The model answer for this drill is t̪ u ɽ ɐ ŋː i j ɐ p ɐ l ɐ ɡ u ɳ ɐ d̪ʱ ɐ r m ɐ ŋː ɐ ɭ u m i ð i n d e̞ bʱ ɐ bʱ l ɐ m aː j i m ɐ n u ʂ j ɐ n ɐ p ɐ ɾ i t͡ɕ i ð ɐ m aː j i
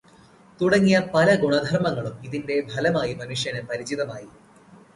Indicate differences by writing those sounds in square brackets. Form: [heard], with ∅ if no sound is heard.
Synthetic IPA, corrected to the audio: t̪ u ɽ ɐ ŋː i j ɐ p ɐ l ɐ ɡ u ɳ ɐ d̪ʱ ɐ r m ɐ ŋː ɐ ɭ u m i ð i n d e̞ bʱ ɐ [∅] l ɐ m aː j i m ɐ n u ʂ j ɐ n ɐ p ɐ ɾ i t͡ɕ i ð ɐ m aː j i

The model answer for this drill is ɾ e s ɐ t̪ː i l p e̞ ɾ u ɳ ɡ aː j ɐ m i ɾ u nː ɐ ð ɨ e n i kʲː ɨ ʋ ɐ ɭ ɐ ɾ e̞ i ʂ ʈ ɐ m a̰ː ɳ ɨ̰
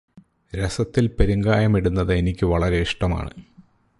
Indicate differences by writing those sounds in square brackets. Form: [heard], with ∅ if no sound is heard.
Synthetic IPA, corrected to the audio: ɾ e s ɐ t̪ː i l p e̞ ɾ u [ŋ] ɡ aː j ɐ m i [ɽ] u nː ɐ ð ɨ e n i kʲː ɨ ʋ ɐ ɭ ɐ ɾ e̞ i ʂ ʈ ɐ m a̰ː ɳ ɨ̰

